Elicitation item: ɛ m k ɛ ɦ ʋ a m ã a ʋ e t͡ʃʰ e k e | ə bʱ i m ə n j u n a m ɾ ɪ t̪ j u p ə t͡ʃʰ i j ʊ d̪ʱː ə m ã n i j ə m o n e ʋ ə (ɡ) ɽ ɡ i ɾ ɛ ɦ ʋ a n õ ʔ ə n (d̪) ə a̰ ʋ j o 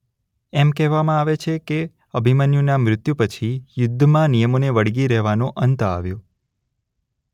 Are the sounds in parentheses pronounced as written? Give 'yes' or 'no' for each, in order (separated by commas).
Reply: no, no